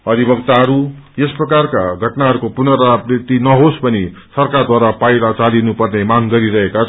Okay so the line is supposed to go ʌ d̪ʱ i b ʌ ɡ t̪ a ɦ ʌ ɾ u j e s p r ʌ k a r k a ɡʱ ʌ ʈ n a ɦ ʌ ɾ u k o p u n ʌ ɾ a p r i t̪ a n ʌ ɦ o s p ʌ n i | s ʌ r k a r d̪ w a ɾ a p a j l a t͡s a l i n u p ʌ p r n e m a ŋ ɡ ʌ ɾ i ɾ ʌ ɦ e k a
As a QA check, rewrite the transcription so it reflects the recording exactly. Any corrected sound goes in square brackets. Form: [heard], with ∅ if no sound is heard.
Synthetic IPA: ʌ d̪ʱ i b ʌ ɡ t̪ a ɦ ʌ ɾ u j e s p r ʌ k a r k a ɡʱ ʌ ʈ n a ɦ ʌ ɾ u k o p u n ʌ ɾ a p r i t̪ [i] n ʌ ɦ o s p ʌ n i | s ʌ r k a r d̪ w a ɾ a p a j l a t͡s a l i n u p ʌ [∅] r n e m a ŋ ɡ ʌ ɾ i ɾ ʌ ɦ e k a